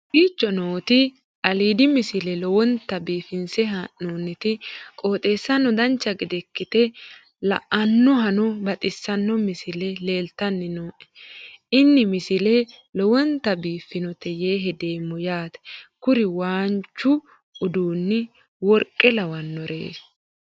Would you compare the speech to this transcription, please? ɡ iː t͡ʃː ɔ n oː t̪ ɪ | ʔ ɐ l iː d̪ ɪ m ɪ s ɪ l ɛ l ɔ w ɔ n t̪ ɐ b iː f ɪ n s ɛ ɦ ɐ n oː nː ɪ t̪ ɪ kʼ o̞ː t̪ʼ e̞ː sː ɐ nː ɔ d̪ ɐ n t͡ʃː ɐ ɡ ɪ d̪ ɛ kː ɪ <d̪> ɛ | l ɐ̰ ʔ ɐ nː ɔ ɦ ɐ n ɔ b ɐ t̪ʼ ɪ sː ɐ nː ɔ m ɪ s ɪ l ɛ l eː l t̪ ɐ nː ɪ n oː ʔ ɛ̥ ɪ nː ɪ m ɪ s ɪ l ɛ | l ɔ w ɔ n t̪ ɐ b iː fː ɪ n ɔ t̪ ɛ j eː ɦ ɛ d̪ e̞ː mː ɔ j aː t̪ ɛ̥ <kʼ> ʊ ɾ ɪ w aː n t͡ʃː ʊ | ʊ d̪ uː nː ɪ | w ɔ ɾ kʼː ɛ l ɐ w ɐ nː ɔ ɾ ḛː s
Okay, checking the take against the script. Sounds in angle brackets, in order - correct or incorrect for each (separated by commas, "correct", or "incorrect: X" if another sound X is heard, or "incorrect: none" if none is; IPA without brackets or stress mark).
incorrect: t̪, incorrect: k